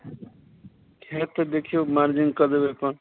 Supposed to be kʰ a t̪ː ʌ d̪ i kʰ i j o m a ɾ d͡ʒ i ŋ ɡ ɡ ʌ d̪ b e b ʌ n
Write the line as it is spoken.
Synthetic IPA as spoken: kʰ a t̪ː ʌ d̪ e kʰ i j o m a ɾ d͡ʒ i ŋ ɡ k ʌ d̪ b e p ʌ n